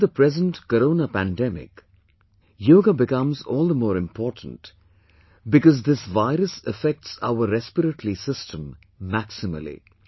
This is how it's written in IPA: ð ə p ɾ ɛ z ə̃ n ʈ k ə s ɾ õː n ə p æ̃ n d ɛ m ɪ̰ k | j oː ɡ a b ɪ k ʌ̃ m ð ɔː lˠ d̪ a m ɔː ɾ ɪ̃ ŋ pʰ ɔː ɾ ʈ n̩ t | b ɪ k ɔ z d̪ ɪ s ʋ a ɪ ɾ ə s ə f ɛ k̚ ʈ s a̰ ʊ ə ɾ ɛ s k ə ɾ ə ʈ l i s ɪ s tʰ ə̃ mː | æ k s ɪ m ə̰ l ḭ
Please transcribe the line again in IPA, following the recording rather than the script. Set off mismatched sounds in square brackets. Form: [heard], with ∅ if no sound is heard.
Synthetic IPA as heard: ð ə p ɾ ɛ z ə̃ n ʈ k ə [∅] ɾ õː n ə p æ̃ n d ɛ m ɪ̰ k | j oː ɡ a b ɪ k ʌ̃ m [z] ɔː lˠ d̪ [ə] m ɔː ɾ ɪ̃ [m] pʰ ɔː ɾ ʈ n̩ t | b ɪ k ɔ z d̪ ɪ s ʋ a ɪ ɾ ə s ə f ɛ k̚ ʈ s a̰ ʊ ə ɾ ɛ s [p] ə ɾ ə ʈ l i s ɪ s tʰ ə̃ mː | æ k s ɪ m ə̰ l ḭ